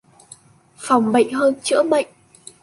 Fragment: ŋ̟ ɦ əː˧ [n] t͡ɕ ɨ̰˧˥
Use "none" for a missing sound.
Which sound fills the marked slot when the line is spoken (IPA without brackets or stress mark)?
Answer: n